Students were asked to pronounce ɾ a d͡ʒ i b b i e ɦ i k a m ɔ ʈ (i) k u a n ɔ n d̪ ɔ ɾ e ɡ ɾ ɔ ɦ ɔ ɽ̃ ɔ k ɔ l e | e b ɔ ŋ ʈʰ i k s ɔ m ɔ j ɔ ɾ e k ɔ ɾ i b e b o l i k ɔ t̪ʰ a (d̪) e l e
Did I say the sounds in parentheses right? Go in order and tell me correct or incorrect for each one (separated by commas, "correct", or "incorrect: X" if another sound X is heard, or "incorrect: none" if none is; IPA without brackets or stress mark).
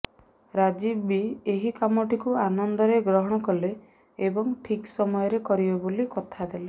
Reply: correct, correct